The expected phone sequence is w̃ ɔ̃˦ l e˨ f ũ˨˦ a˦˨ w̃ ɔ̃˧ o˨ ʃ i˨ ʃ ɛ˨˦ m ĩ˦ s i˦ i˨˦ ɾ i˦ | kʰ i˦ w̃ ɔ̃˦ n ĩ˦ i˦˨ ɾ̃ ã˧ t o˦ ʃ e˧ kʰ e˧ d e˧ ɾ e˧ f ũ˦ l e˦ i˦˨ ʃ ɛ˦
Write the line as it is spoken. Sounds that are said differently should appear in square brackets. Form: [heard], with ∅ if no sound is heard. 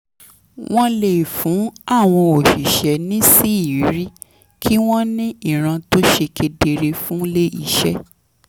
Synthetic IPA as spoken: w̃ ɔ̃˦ l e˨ f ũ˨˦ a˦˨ w̃ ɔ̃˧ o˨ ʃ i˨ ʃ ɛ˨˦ [n] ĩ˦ s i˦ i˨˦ ɾ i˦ | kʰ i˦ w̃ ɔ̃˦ n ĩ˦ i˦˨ ɾ̃ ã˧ t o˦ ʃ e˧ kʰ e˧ d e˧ ɾ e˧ f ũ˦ l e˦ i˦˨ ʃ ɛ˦